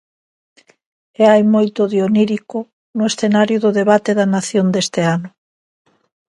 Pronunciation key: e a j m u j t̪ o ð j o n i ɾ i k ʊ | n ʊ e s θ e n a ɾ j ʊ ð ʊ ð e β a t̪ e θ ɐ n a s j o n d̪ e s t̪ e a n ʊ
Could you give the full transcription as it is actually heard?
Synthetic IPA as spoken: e a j m o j t̪ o ð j o n i ɾ i k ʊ | n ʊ e s θ e n a ɾ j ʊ ð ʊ ð e β a t̪ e ð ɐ n a θ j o n d̪ e s t̪ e a n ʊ